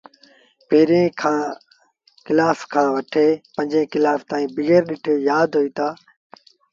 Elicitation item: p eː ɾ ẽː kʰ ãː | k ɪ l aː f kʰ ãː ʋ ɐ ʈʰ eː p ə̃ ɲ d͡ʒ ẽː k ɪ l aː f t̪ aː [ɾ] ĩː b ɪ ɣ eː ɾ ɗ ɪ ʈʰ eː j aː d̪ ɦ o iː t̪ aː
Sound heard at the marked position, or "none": none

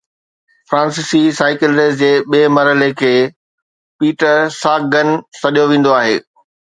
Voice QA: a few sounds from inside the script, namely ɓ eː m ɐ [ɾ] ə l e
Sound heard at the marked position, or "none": ɾ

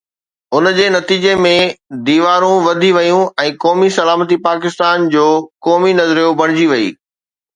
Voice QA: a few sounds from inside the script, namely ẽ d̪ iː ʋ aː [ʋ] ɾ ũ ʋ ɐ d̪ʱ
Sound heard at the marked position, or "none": none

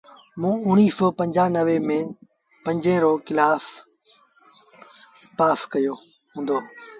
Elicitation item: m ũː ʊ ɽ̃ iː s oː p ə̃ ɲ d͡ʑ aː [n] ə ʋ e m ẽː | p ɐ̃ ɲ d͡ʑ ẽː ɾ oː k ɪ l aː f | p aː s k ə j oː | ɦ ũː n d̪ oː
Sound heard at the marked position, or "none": n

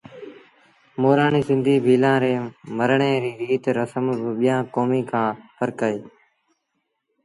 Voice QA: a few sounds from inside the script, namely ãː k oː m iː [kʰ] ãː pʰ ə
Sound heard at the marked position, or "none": kʰ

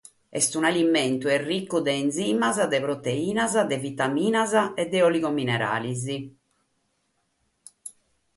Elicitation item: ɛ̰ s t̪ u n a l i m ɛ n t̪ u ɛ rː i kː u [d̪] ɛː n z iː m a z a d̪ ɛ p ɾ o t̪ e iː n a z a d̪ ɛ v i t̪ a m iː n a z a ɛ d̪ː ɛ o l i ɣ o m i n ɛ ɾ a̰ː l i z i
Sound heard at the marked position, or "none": d̪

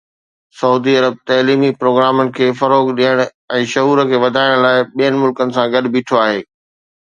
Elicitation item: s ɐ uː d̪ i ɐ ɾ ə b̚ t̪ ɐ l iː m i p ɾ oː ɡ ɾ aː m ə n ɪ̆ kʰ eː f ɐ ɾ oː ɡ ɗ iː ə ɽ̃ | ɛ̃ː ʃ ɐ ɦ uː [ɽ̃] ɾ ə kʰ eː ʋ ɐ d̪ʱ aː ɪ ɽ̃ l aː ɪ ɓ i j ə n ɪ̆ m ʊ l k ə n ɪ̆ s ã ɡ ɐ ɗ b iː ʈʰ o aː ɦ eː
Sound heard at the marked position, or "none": none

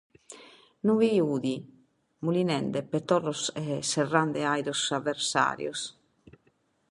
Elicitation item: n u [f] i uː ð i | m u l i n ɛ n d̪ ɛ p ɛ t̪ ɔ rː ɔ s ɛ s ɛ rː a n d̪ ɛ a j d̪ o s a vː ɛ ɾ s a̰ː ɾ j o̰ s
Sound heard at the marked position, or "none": v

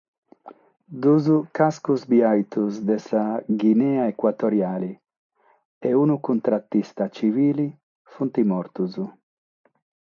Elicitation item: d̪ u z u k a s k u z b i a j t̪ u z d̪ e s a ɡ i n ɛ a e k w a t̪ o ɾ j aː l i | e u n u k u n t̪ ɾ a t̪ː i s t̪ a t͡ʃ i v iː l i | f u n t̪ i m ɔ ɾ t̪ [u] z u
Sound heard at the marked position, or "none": u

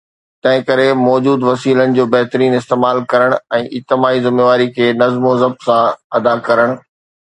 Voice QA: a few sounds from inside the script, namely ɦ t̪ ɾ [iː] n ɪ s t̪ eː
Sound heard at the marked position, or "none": iː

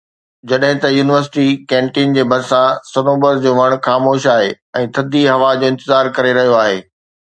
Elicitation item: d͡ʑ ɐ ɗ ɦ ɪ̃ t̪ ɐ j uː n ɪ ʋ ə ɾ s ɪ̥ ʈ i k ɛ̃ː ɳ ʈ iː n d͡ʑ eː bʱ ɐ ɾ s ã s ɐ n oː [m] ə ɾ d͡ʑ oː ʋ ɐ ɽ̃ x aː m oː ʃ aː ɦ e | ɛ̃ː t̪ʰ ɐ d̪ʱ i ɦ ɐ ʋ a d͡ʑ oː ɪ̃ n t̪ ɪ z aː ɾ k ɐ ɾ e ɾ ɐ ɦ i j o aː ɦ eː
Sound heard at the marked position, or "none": b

